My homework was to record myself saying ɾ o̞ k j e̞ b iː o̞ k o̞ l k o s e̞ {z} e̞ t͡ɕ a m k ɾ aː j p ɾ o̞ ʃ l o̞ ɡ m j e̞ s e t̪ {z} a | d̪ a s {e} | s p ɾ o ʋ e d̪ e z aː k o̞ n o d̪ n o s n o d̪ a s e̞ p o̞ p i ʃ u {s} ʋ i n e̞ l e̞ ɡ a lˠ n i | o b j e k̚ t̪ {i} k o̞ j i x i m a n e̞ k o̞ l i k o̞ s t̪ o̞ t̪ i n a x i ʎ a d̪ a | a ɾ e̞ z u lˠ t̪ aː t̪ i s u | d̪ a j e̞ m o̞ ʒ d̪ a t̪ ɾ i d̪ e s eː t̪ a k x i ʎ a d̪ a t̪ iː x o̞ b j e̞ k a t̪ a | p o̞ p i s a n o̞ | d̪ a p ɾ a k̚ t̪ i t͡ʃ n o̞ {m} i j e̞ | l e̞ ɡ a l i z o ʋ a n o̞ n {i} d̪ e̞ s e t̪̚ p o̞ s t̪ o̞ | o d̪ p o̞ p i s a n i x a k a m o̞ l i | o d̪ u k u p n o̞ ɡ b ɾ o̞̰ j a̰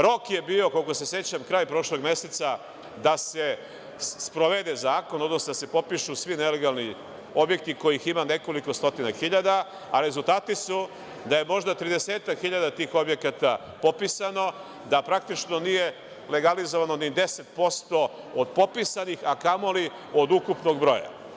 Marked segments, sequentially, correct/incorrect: incorrect, incorrect, correct, correct, correct, incorrect, correct

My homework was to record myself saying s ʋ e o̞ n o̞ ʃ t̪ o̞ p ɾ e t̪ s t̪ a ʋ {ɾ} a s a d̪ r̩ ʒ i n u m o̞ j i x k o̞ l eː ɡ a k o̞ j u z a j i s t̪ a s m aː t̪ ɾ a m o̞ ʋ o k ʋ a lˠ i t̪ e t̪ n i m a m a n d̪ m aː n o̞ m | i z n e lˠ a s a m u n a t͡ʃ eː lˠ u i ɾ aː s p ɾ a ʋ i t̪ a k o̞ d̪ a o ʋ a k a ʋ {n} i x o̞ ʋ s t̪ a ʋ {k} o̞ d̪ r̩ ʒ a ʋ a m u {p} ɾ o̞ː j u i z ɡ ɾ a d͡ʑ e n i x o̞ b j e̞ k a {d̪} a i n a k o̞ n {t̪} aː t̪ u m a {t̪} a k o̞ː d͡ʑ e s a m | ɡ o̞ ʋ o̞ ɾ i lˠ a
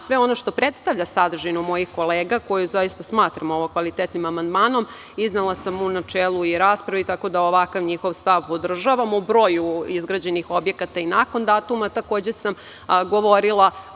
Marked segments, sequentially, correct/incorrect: incorrect, incorrect, incorrect, incorrect, incorrect, incorrect, correct

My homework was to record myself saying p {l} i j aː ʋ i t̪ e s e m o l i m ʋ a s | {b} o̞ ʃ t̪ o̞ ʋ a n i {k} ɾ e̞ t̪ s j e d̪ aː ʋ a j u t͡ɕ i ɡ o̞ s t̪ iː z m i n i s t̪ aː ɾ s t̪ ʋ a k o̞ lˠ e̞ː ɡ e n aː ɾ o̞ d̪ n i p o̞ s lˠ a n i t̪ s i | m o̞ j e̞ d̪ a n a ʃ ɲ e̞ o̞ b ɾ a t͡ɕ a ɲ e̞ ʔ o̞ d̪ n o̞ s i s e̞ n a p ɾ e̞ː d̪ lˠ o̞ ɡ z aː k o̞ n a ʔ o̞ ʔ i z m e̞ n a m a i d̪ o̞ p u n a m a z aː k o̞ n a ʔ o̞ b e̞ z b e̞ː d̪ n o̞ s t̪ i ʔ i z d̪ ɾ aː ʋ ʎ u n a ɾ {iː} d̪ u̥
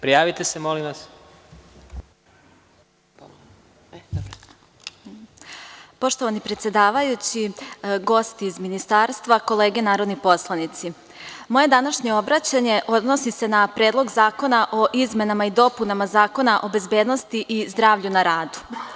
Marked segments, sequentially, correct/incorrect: incorrect, incorrect, incorrect, incorrect

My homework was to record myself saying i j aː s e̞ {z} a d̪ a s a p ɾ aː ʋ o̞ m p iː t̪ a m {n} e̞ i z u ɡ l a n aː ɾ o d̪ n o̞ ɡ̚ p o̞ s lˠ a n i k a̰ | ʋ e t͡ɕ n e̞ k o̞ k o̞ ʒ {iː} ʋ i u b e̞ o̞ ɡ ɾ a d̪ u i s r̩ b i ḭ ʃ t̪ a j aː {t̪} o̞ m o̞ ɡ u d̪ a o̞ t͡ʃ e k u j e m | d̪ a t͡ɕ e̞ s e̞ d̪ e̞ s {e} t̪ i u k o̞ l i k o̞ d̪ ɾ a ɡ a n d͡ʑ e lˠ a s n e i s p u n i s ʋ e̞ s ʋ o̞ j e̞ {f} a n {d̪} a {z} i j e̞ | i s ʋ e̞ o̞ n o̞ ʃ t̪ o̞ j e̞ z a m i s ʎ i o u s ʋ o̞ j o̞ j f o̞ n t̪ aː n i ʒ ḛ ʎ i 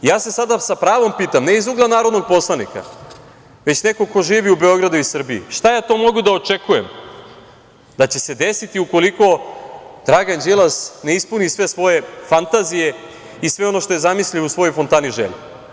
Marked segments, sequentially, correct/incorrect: incorrect, correct, correct, correct, incorrect, correct, incorrect, correct

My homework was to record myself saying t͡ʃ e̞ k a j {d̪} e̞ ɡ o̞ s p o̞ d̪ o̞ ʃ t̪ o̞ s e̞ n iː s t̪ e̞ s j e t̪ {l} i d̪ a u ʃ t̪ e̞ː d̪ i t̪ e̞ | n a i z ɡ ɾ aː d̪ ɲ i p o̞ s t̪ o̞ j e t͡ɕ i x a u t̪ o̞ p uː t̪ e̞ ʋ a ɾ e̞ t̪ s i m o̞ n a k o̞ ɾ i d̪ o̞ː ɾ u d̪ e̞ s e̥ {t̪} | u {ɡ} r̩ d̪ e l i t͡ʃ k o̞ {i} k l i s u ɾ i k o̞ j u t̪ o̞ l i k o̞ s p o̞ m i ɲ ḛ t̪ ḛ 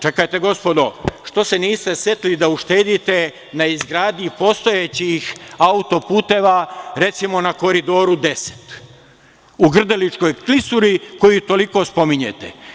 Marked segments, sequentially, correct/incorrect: incorrect, correct, correct, correct, incorrect

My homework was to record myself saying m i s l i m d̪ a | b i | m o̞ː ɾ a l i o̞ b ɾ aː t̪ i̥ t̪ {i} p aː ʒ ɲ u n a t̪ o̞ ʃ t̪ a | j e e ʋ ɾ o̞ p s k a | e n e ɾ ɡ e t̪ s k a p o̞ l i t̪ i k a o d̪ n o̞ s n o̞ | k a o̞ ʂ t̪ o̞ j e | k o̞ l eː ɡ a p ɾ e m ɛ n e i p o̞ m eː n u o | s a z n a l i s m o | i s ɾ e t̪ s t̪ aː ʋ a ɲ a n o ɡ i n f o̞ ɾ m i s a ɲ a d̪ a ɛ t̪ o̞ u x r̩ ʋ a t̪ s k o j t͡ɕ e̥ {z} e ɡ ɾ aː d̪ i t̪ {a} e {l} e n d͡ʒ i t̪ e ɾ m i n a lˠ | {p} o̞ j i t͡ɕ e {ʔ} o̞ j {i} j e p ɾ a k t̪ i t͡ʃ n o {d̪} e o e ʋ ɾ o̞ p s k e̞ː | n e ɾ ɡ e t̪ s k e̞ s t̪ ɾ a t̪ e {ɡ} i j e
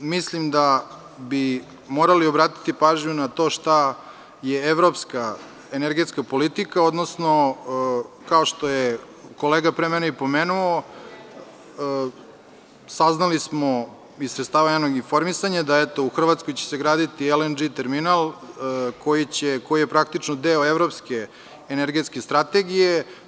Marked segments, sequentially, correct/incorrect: correct, incorrect, incorrect, correct, incorrect, incorrect, correct, correct, correct

